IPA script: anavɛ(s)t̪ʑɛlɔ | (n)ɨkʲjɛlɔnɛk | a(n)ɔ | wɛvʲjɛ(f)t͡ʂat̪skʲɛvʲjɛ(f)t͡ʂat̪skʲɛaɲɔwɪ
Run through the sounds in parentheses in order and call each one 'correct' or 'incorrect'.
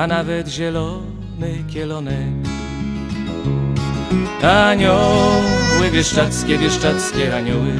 incorrect: none, correct, incorrect: ɲ, incorrect: ʂ, incorrect: ʂ

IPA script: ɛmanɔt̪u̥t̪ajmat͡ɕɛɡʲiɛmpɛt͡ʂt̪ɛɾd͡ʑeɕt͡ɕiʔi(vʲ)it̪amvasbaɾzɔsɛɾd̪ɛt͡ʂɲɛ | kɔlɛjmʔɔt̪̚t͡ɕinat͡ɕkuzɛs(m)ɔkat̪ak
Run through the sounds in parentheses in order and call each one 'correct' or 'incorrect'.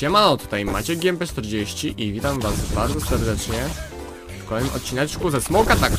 correct, correct

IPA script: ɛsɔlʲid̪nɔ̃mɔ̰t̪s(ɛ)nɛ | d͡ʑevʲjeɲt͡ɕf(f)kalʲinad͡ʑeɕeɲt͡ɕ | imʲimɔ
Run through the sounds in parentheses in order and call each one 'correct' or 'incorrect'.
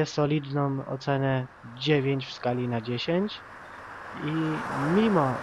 correct, incorrect: s

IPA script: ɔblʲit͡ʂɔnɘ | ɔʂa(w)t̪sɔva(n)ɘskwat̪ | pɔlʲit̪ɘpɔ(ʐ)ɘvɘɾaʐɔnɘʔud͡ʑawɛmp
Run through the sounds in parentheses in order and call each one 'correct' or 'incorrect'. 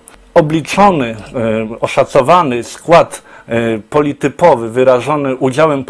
incorrect: none, correct, incorrect: v

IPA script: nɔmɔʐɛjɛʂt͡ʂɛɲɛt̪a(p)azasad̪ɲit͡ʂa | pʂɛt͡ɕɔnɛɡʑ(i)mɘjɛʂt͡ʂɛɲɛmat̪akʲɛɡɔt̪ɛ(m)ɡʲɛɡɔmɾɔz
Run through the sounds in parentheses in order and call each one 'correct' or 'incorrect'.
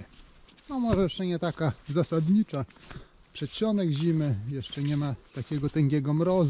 incorrect: k, correct, incorrect: ŋ

